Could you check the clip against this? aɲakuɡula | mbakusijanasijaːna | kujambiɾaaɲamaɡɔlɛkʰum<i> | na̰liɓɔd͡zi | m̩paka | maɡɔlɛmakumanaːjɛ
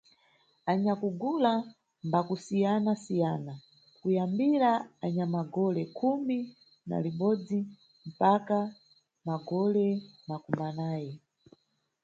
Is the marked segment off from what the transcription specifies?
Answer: no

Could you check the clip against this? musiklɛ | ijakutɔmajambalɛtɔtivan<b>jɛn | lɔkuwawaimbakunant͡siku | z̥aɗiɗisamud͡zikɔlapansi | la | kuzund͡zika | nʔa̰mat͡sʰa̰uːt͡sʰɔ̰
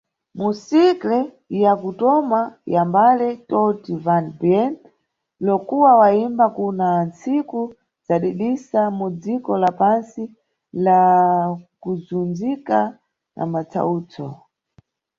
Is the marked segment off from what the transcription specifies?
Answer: no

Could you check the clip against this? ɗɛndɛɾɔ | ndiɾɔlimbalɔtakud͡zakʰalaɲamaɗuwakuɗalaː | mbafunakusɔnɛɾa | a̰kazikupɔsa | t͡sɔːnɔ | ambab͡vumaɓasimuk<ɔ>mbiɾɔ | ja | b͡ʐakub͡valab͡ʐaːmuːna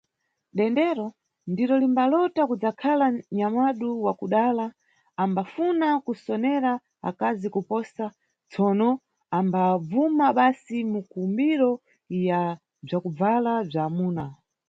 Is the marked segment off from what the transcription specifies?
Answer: yes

